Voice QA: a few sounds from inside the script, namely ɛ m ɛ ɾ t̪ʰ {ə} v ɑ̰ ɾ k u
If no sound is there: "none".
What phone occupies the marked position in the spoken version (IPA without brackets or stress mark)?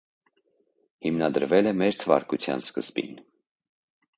ə